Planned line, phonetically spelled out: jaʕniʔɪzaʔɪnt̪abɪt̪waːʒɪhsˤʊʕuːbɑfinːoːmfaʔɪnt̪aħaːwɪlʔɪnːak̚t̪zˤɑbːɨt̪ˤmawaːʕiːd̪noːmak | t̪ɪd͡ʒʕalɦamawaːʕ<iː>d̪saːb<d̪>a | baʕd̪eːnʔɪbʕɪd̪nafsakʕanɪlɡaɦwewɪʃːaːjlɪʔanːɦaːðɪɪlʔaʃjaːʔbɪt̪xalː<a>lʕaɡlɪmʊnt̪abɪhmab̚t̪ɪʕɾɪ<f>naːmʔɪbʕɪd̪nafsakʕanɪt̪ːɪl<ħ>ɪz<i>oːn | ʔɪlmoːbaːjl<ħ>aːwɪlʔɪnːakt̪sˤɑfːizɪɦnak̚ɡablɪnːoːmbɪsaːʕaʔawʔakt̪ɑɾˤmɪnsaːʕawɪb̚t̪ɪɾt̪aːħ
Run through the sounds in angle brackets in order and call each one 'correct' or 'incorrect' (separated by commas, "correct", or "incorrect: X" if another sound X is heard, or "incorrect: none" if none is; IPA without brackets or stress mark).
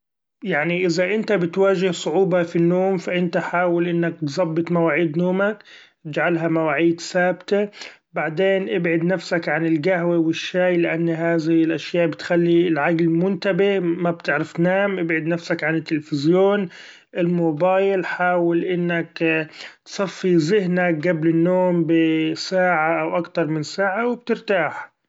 correct, incorrect: t̪, incorrect: i, correct, incorrect: f, incorrect: j, correct